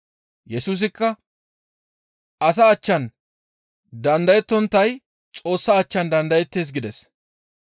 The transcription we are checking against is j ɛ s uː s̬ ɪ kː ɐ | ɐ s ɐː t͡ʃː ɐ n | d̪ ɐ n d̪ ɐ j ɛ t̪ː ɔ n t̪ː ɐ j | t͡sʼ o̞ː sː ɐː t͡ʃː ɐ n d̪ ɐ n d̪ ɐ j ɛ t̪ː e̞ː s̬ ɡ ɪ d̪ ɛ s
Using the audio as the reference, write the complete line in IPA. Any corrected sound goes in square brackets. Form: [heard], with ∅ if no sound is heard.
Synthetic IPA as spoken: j ɛ s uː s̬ ɪ kː ɐ | ɐ s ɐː t͡ʃː ɐ n | d̪ ɐ n d̪ ɐ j ɛ t̪ː ɔ n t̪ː ɐ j | t͡sʼ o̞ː sː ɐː t͡ʃː ɐ n d̪ ɐ n d̪ ɐ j ɛ t̪ː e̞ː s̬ ɡ ɪ d̪ ɛ s